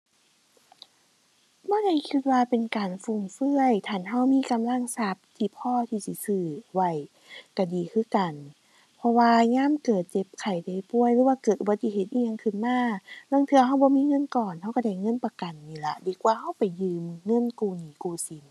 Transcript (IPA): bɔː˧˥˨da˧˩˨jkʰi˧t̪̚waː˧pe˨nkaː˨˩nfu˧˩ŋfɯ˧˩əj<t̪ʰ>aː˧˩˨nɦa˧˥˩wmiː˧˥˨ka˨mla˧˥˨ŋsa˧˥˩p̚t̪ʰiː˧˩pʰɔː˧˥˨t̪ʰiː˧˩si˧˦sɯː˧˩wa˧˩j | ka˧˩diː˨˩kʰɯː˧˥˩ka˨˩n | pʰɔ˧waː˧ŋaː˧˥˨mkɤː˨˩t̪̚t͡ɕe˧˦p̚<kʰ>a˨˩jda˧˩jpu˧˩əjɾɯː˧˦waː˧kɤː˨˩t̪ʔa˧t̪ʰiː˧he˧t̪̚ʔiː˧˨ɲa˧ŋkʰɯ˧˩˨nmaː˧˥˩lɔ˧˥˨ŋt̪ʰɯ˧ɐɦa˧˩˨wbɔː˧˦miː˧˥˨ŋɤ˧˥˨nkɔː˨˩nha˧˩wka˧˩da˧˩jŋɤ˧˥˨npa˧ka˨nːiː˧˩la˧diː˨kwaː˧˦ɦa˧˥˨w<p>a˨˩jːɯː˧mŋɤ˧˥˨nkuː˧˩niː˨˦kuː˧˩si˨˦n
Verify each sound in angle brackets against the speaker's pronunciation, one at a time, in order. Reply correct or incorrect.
correct, correct, correct

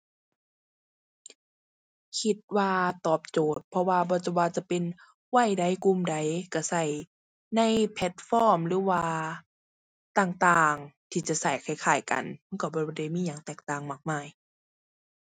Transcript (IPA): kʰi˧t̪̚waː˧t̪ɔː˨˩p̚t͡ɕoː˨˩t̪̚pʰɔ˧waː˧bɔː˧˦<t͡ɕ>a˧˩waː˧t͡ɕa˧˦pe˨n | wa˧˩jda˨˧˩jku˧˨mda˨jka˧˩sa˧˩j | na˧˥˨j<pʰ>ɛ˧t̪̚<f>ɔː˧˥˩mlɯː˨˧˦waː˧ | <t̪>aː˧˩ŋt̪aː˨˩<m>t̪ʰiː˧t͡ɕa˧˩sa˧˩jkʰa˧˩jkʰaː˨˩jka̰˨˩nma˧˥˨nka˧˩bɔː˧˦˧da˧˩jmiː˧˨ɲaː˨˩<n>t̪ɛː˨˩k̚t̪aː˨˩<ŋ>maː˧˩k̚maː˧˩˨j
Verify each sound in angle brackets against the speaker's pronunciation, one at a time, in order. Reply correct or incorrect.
correct, correct, correct, correct, incorrect: ŋ, incorrect: ŋ, correct

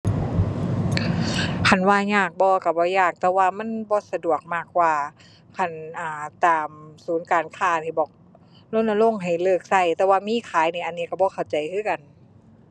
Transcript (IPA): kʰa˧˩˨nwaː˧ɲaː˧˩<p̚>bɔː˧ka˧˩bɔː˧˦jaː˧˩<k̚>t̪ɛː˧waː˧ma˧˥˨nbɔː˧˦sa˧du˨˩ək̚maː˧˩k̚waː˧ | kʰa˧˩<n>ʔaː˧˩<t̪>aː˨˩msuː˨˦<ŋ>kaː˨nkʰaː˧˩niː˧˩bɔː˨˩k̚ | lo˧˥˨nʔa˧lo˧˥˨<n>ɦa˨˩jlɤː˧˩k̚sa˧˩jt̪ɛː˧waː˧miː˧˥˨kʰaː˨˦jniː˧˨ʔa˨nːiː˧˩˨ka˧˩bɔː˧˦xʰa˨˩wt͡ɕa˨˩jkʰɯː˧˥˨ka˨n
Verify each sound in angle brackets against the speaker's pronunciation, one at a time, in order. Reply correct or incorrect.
incorrect: k̚, correct, correct, correct, incorrect: n, incorrect: ŋ

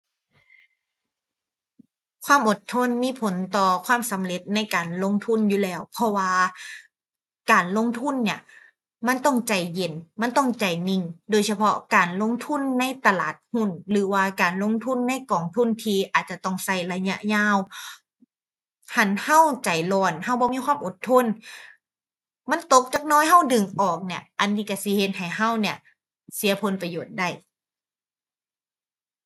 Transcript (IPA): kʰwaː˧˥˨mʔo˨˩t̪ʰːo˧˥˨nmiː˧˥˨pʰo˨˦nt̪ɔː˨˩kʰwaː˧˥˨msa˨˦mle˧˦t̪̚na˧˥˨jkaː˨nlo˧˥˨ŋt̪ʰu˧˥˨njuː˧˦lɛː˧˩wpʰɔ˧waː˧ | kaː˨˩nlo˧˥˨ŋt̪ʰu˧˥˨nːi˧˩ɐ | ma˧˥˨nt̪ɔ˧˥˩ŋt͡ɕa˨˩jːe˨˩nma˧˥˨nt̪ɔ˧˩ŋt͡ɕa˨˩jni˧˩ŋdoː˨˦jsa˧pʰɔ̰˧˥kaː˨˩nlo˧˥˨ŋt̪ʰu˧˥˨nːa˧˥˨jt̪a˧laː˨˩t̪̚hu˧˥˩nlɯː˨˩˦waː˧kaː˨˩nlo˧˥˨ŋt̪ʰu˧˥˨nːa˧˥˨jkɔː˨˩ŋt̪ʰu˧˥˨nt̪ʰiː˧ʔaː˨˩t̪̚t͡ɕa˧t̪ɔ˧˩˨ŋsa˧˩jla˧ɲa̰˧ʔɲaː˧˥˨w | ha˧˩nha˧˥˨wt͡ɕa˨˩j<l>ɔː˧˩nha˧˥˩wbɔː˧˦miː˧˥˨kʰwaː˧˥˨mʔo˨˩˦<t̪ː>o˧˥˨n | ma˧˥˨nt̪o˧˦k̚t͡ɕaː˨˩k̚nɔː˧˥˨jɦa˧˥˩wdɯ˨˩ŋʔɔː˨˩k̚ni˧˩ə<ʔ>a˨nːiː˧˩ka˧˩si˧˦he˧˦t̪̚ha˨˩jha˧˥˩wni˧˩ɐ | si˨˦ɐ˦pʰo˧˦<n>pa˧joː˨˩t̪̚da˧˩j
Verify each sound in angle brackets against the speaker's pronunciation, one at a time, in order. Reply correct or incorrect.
correct, incorrect: t̪ʰː, correct, correct

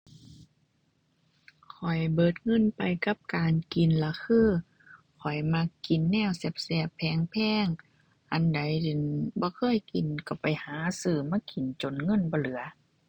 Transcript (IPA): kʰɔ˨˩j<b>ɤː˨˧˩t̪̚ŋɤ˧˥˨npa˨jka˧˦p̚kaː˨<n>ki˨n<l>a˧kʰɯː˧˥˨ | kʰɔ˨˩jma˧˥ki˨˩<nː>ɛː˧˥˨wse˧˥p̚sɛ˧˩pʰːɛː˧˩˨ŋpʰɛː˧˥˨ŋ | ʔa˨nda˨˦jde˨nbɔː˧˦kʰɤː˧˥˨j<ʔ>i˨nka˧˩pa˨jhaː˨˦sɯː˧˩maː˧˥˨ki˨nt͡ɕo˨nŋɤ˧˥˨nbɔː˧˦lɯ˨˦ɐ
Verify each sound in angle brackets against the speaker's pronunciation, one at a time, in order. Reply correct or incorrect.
correct, correct, correct, correct, incorrect: k

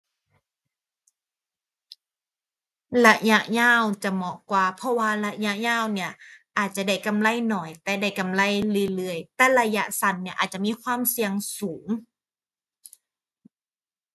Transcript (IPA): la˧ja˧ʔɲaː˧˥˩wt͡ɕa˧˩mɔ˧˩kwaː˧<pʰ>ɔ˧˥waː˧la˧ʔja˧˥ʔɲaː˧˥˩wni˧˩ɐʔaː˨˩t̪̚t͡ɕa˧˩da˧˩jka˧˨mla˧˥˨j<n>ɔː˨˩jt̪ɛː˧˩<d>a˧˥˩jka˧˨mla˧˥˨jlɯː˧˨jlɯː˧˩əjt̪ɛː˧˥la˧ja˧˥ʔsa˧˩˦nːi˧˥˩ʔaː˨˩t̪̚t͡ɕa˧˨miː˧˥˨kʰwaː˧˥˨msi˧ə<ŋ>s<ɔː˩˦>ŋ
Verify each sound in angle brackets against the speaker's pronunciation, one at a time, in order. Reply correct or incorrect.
correct, correct, correct, correct, incorrect: uː˩˦

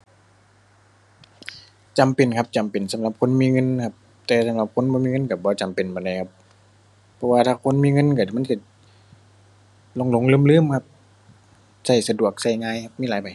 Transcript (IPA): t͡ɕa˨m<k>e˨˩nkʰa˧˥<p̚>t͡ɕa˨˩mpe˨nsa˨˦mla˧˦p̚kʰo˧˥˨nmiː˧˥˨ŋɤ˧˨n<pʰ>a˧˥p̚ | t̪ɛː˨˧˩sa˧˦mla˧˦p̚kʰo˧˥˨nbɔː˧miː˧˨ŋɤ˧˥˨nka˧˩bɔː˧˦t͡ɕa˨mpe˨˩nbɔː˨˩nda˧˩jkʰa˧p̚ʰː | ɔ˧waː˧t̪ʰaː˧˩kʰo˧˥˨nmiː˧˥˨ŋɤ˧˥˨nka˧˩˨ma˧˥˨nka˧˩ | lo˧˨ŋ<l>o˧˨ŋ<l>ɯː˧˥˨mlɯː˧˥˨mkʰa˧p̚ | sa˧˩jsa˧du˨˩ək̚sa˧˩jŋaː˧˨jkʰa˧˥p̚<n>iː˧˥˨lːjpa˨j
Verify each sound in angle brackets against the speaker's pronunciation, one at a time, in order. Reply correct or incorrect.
incorrect: p, correct, incorrect: kʰ, correct, correct, incorrect: m

